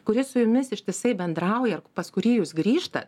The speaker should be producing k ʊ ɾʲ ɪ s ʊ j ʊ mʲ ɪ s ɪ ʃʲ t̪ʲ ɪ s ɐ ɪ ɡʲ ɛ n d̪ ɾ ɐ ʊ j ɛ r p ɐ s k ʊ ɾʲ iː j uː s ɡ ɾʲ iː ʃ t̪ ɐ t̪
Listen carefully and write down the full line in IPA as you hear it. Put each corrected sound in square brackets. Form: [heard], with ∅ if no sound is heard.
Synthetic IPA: k ʊ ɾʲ ɪ s ʊ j ʊ mʲ ɪ s ɪ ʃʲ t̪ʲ ɪ s ɐ ɪ [bʲ] ɛ n d̪ ɾ ɐ ʊ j ɛ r p ɐ s k ʊ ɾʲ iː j uː s ɡ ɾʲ iː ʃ t̪ ɐ t̪

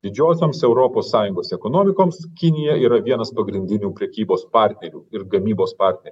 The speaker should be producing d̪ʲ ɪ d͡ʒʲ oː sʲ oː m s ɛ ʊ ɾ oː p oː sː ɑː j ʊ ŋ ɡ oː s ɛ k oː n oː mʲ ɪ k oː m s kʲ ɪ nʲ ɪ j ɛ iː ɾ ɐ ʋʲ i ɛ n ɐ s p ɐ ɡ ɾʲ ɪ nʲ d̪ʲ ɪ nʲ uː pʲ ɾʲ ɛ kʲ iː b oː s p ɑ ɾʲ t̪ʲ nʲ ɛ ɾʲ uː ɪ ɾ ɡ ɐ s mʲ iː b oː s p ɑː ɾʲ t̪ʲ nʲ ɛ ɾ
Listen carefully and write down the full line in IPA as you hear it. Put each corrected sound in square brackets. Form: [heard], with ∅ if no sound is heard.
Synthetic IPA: d̪ʲ ɪ d͡ʒʲ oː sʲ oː m s ɛ ʊ ɾ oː p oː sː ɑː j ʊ ŋ ɡ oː s ɛ k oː n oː mʲ ɪ k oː m s kʲ ɪ nʲ ɪ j ɛ iː ɾ ɐ ʋʲ i ɛ n ɐ s p ɐ ɡ ɾʲ ɪ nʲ d̪ʲ ɪ nʲ uː pʲ ɾʲ ɛ kʲ iː b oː s p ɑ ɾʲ t̪ʲ nʲ ɛ ɾʲ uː ɪ ɾ ɡ ɐ [∅] mʲ iː b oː s p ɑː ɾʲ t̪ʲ nʲ ɛ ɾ

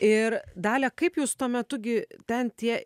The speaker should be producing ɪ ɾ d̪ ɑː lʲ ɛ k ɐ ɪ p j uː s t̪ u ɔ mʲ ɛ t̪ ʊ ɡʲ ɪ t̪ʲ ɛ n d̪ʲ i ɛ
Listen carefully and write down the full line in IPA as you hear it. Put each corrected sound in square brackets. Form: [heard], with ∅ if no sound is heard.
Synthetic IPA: ɪ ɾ d̪ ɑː lʲ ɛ k ɐ ɪ p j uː s t̪ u ɔ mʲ ɛ t̪ ʊ ɡʲ ɪ t̪ʲ ɛ n [t̪ʲ] i ɛ

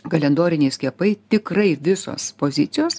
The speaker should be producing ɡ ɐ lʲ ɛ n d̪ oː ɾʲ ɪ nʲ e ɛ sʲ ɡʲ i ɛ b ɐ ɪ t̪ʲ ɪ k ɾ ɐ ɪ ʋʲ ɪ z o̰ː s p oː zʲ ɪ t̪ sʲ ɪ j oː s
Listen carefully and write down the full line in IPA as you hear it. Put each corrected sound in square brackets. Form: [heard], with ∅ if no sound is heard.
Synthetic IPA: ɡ ɐ lʲ ɛ n d̪ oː ɾʲ ɪ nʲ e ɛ sʲ [kʲ] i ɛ [p] ɐ ɪ t̪ʲ ɪ k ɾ ɐ ɪ ʋʲ ɪ [s] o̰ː s p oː zʲ ɪ t̪ sʲ ɪ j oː s

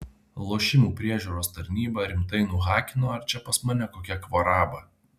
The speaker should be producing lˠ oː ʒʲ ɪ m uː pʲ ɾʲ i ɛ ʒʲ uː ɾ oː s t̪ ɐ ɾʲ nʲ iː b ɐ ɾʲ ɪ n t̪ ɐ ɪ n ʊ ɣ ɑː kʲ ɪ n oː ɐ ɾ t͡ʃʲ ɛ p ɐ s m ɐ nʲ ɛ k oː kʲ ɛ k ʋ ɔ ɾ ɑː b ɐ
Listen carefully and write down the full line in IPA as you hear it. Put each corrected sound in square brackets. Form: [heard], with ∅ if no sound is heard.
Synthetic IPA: lˠ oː [ʃʲ] ɪ m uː pʲ ɾʲ i ɛ ʒʲ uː ɾ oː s t̪ ɐ ɾʲ nʲ iː b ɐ ɾʲ ɪ [m] t̪ ɐ ɪ n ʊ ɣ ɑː kʲ ɪ n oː ɐ ɾ t͡ʃʲ ɛ p ɐ s m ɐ nʲ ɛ k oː kʲ ɛ k ʋ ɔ ɾ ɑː b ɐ

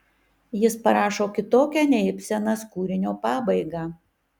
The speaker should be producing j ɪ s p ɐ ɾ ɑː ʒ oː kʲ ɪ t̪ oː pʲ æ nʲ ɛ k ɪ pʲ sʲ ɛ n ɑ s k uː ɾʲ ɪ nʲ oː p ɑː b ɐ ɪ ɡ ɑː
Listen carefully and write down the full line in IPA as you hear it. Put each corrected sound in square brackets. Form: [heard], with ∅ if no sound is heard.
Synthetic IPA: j ɪ s p ɐ ɾ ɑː [ʃ] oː kʲ ɪ t̪ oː [kʲ] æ nʲ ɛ [∅] ɪ pʲ sʲ ɛ n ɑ s k uː ɾʲ ɪ nʲ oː p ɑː b ɐ ɪ ɡ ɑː

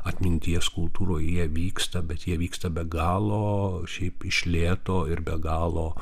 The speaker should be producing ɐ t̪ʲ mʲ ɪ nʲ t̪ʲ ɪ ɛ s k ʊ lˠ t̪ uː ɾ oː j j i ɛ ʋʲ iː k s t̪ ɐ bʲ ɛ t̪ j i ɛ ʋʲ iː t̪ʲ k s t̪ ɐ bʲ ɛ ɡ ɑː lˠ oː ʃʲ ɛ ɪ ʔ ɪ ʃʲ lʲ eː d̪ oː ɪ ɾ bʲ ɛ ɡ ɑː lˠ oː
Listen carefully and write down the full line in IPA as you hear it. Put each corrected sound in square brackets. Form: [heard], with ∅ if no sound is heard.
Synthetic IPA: ɐ t̪ʲ mʲ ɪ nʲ t̪ʲ [i] ɛ s k ʊ lˠ t̪ uː ɾ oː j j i ɛ ʋʲ iː k s t̪ ɐ bʲ ɛ t̪ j i ɛ ʋʲ iː [∅] k s t̪ ɐ bʲ ɛ ɡ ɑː lˠ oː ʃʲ ɛ ɪ [p] ɪ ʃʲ lʲ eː [t̪] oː ɪ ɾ bʲ ɛ ɡ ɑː lˠ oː

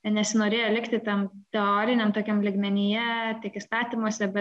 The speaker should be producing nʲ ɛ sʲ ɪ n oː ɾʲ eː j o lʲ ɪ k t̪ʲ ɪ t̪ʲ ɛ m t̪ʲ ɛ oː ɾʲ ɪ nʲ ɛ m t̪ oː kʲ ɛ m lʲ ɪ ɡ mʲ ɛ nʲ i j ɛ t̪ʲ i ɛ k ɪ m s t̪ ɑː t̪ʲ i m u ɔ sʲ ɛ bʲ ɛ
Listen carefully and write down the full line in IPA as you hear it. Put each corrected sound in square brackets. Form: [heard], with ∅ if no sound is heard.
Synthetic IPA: nʲ ɛ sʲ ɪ n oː ɾʲ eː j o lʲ ɪ k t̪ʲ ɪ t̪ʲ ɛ m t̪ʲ ɛ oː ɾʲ ɪ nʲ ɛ m t̪ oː kʲ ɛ m lʲ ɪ ɡ mʲ ɛ nʲ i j ɛ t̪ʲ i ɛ k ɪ [∅] s t̪ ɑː t̪ʲ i m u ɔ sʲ ɛ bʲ ɛ

